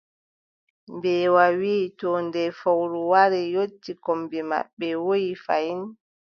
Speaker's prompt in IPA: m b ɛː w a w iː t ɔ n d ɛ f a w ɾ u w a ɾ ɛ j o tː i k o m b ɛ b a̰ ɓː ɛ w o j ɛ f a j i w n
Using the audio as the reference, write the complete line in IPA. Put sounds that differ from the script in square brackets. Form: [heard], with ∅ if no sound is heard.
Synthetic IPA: m b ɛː w a w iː t ɔ n d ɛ f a w ɾ u w a ɾ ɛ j o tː i k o m b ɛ [m] a̰ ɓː ɛ w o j [i] f a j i [∅] n